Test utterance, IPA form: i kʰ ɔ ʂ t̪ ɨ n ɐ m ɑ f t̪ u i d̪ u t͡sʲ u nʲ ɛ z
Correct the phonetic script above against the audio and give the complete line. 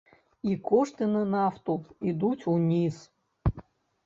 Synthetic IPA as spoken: i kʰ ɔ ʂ t̪ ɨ n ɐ n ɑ f t̪ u i d̪ u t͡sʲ u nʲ i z

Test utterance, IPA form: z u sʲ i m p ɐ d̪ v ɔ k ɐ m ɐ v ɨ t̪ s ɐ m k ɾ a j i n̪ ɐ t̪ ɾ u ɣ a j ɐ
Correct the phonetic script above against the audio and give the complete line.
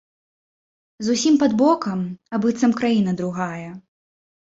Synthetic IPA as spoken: z u sʲ i m p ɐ d̪ b ɔ k ɐ m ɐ b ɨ t̪ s ɐ m k ɾ a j i n̪ ɐ d̪ ɾ u ɣ a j ɐ

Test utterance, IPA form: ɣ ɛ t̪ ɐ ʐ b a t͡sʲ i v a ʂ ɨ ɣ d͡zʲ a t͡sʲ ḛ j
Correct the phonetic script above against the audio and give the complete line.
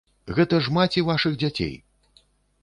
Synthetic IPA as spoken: ɣ ɛ t̪ ɐ ʐ m a t͡sʲ i v a ʂ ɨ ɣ d͡zʲ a t͡sʲ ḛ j

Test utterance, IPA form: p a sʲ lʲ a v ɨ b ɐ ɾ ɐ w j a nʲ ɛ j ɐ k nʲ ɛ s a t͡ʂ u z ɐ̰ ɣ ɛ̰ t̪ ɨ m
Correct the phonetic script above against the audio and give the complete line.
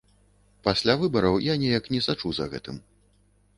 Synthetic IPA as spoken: p a sʲ lʲ a v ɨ b ɐ ɾ ɐ w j a nʲ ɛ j ɐ k nʲ ɛ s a t͡ʂ u z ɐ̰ ɣ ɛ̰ t̪ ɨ m

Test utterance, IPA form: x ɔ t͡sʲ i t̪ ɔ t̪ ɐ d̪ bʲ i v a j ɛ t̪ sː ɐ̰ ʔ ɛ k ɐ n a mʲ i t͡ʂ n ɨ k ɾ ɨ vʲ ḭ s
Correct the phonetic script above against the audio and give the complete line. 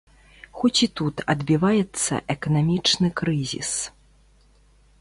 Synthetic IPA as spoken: x ɔ t͡sʲ i t̪ u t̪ ɐ d̪ bʲ i v a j ɛ t̪ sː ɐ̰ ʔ ɛ k ɐ n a mʲ i t͡ʂ n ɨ k ɾ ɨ zʲ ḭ s

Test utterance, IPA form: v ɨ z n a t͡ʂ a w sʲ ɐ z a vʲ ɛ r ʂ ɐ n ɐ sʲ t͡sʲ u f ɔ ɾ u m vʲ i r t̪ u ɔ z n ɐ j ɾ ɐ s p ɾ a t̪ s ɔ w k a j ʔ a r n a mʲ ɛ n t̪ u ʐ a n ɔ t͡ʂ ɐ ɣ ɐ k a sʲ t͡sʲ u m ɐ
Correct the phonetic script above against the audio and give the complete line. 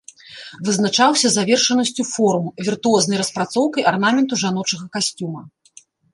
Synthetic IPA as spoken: v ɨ z n a t͡ʂ a w sʲ ɐ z a vʲ ɛ r ʂ ɐ n ɐ sʲ t͡sʲ u f ɔ ɾ u m vʲ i r t̪ u ɔ z n ɐ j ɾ ɐ s p ɾ a t̪ s ɔ w k ɐ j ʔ a r n a mʲ ɛ n t̪ u ʐ a n ɔ t͡ʂ ɐ ɣ ɐ k a sʲ t͡sʲ u m ɐ

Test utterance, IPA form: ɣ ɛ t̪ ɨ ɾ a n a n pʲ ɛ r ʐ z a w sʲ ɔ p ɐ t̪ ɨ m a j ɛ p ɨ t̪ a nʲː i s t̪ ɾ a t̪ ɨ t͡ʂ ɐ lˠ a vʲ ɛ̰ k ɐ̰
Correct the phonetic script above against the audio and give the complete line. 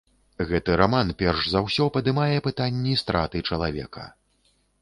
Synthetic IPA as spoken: ɣ ɛ t̪ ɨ ɾ a m a n pʲ ɛ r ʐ z a w sʲ ɔ p ɐ d̪ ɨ m a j ɛ p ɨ t̪ a nʲː i s t̪ ɾ a t̪ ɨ t͡ʂ ɐ lˠ a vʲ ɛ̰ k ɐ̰

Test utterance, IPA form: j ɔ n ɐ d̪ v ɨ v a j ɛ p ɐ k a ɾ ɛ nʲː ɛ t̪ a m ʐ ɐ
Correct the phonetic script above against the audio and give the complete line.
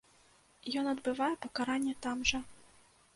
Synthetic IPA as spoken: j ɔ n ɐ d̪ b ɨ v a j ɛ p ɐ k a ɾ a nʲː ɛ t̪ a m ʐ ɐ

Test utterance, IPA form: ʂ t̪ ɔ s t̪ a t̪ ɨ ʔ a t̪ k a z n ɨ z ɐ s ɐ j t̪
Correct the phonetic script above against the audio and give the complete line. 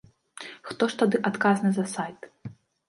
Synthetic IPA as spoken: x t̪ ɔ ʂ t̪ a d̪ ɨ ʔ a t̪ k a z n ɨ z ɐ s a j t̪

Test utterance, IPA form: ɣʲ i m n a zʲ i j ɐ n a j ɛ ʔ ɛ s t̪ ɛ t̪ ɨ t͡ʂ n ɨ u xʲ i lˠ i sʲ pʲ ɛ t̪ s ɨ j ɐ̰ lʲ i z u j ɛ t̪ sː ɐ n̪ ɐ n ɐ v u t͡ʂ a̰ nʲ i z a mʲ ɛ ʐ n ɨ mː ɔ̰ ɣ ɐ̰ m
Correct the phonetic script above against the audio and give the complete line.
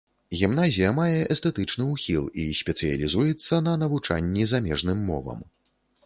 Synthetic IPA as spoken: ɣʲ i m n a zʲ i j ɐ m a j ɛ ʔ ɛ s t̪ ɛ t̪ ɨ t͡ʂ n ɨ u xʲ i lˠ i sʲ pʲ ɛ t̪ s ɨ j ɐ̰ lʲ i z u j ɛ t̪ sː ɐ n̪ ɐ n ɐ v u t͡ʂ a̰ nʲː i z a mʲ ɛ ʐ n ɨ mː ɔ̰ v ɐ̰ m

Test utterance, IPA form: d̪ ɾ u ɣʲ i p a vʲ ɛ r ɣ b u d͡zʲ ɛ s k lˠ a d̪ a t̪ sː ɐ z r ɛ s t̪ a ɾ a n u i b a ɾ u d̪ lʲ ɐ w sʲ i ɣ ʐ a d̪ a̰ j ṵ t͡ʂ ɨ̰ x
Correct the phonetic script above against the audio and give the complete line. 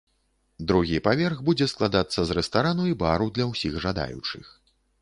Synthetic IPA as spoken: d̪ ɾ u ɣʲ i p a vʲ ɛ r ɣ b u d͡zʲ ɛ s k lˠ a d̪ a t̪ sː ɐ z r ɛ s t̪ a ɾ a n u i b a ɾ u d̪ lʲ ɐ w sʲ i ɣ ʐ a d̪ a̰ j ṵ t͡ʂ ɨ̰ x

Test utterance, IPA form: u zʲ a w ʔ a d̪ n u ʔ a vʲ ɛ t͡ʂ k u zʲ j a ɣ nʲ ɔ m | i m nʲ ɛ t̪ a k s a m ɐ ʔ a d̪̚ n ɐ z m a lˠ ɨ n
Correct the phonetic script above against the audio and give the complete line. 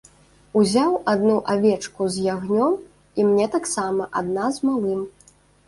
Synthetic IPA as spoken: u zʲ a w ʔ a d̪ n u ʔ a vʲ ɛ t͡ʂ k u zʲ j a ɣ nʲ ɔ m | i m nʲ ɛ t̪ a k s a m ɐ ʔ a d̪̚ n a z m a lˠ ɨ m

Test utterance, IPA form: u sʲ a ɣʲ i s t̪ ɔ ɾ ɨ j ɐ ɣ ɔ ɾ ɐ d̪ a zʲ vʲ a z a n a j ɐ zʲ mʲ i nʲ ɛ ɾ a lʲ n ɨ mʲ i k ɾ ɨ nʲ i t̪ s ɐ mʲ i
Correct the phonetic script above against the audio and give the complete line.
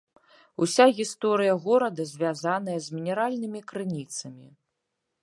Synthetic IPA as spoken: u sʲ a ɣʲ i s t̪ ɔ ɾ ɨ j ɐ ɣ ɔ ɾ ɐ d̪ ɐ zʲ vʲ a z a n ɐ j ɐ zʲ mʲ i nʲ ɛ ɾ a lʲ n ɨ mʲ i k ɾ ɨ nʲ i t̪ s ɐ mʲ i

